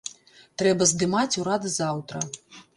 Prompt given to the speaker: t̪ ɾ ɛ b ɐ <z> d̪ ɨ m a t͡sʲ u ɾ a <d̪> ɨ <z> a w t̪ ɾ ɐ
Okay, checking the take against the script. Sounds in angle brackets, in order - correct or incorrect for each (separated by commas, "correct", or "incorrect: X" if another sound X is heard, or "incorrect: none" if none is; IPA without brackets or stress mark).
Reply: correct, correct, correct